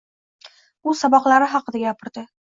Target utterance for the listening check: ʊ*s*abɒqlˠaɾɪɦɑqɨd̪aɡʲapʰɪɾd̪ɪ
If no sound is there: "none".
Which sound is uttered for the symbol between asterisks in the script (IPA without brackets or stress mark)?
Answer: s